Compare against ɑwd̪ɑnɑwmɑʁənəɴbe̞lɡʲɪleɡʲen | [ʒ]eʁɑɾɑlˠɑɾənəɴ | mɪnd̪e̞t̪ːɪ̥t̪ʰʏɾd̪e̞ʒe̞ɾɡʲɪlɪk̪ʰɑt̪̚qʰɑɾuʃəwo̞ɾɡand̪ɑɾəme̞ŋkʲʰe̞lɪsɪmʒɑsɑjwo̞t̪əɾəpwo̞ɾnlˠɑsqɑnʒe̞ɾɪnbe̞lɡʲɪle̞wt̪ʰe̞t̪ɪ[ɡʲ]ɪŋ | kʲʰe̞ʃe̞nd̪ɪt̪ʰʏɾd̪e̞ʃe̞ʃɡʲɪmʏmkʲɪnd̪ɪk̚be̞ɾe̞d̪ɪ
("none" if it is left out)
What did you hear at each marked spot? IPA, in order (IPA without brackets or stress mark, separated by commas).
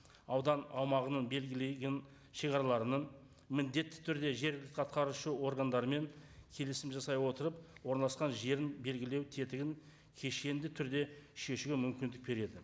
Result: ʃ, ɡʲ